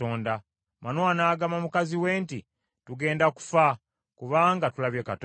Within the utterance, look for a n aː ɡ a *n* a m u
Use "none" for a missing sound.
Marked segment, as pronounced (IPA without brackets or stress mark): m